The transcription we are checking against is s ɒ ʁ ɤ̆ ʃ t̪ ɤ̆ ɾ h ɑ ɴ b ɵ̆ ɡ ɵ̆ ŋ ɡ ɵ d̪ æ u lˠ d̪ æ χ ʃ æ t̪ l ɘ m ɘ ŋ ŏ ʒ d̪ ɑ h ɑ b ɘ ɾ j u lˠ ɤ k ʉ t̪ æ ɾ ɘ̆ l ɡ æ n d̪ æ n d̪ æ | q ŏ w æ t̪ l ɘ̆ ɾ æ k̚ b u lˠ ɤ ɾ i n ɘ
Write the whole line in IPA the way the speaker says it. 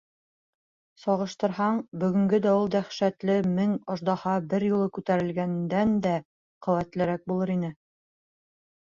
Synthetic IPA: s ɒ ʁ ɤ̆ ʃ t̪ ɤ̆ ɾ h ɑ ɴ b ɵ̆ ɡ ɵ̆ ŋ ɡ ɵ d̪ æ u lˠ d̪ æ χ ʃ æ t̪ l ɘ m ɘ ŋ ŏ ʒ d̪ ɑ h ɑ b ɘ ɾ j u lˠ ɤ k ʉ t̪ æ ɾ ɘ̆ l ɡ æ n d̪ æ n d̪ æ | q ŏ w æ t̪ l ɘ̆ ɾ æ k̚ b u lˠ ɤ ɾ i n ɘ